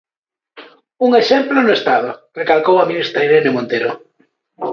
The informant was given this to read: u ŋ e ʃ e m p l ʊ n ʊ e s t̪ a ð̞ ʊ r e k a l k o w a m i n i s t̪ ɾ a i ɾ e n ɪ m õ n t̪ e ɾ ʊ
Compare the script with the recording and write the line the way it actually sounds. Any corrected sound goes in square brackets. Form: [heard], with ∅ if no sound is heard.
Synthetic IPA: u ŋ e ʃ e m p l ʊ n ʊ e s t̪ a ð̞ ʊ r e k a l k o w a m i n i s t̪ ɾ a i ɾ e n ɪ m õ n t̪ e ɾ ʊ

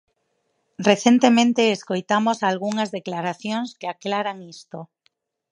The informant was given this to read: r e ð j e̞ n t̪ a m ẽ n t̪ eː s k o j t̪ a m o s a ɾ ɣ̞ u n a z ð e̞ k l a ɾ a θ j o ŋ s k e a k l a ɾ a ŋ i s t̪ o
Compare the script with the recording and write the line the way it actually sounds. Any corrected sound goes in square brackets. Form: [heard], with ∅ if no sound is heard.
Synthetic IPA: r e [θ] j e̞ n t̪ [e] m ẽ n t̪ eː s k o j t̪ a m o s a [l] ɣ̞ u [ŋ] a z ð e̞ k l a ɾ a θ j o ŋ s k e a k l a ɾ a ŋ i s t̪ o

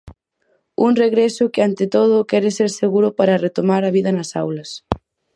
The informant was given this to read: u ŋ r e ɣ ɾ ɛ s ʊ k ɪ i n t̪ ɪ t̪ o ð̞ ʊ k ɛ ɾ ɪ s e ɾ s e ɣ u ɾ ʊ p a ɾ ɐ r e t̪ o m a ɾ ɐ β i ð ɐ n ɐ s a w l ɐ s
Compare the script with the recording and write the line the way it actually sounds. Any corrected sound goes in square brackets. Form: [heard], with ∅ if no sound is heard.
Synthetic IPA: u ŋ r e ɣ ɾ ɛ s ʊ k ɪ [a] n t̪ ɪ t̪ o ð̞ ʊ k ɛ ɾ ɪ s e ɾ s e ɣ u ɾ ʊ p a ɾ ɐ r e t̪ o m a ɾ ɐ β i ð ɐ n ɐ s a w l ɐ s

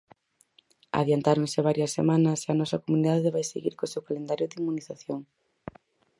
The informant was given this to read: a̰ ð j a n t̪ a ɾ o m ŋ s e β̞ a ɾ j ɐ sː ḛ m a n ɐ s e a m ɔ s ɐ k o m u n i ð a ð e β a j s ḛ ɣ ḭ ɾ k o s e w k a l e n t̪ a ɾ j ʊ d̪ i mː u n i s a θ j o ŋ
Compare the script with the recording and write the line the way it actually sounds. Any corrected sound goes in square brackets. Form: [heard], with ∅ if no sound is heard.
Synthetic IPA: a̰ ð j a n t̪ a ɾ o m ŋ s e β̞ a ɾ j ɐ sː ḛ m a n ɐ s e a [n] ɔ s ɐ k o m u n i ð a ð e β a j s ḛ ɣ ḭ ɾ k o s e w k a l e n [d̪] a ɾ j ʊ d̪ i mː u n i [θ] a θ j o ŋ

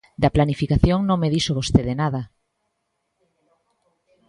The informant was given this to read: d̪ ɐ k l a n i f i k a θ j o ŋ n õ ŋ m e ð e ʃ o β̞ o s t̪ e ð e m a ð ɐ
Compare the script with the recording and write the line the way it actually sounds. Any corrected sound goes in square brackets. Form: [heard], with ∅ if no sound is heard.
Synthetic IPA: d̪ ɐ [p] l a n i f i k a θ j o ŋ n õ ŋ m e ð [i] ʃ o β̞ o s t̪ e ð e [n] a ð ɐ

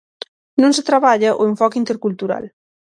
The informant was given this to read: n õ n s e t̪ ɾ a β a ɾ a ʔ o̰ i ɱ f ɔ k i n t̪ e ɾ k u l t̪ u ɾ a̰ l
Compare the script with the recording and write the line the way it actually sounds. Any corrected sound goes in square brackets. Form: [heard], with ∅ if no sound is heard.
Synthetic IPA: n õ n s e t̪ ɾ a β a [ʎ] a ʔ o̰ [e] ɱ f ɔ k i n t̪ e ɾ k u l t̪ u ɾ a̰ l

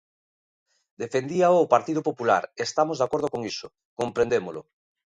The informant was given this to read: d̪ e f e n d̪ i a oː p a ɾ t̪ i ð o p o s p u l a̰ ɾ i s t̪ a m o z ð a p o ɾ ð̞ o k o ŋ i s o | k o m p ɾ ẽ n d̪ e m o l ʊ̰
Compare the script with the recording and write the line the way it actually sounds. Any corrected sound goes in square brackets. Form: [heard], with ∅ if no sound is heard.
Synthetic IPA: d̪ e f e n d̪ i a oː p a ɾ t̪ i ð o p o [∅] p u l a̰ ɾ [e] s t̪ a m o z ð a [k] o ɾ ð̞ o k o ŋ i s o | k o m p ɾ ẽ n d̪ e m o l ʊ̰

